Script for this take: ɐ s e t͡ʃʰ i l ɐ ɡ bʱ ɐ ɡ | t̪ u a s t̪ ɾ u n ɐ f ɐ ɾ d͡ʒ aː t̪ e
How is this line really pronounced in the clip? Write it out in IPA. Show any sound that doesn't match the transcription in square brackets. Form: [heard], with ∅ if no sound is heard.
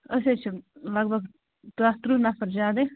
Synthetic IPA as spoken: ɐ s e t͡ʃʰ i l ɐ ɡ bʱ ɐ ɡ | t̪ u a s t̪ ɾ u n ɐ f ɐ ɾ d͡ʒ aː [d̪] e